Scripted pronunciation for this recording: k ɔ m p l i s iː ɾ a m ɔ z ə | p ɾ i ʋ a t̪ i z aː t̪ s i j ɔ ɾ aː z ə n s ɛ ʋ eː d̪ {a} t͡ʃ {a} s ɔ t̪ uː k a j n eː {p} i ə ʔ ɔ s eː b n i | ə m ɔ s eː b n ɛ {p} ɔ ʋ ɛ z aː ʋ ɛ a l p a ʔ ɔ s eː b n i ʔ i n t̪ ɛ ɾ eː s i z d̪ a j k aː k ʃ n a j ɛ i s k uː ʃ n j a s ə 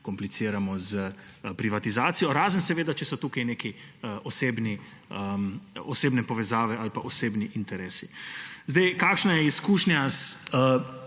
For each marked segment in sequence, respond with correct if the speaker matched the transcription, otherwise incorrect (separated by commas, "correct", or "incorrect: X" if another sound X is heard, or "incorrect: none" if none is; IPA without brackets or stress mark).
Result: correct, incorrect: ɛ, incorrect: k, correct